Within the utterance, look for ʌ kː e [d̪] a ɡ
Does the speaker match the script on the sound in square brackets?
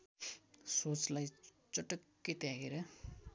no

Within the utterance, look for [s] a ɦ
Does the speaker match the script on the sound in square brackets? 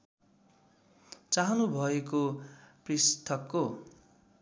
no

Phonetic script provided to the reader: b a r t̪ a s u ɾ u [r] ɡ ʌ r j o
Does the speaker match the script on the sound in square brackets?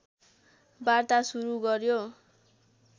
no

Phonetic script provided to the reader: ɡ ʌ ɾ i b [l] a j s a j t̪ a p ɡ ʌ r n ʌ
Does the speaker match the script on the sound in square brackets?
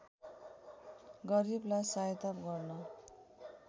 yes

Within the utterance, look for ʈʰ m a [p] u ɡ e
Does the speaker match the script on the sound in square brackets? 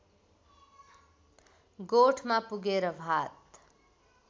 yes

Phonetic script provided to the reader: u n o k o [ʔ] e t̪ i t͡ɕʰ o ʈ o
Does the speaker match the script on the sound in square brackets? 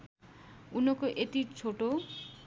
yes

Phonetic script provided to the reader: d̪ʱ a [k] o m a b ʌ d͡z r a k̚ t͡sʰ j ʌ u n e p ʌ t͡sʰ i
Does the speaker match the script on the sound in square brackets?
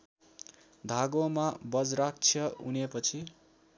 no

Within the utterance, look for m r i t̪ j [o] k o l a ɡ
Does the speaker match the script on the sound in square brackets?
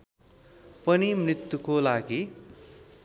no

